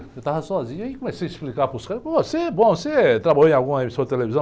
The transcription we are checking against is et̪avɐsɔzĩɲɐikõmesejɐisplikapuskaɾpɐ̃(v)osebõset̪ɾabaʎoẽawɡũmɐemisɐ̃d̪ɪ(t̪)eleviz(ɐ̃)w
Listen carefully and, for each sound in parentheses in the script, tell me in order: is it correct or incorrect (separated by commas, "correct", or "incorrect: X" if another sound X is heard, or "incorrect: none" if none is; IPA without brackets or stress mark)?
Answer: correct, correct, correct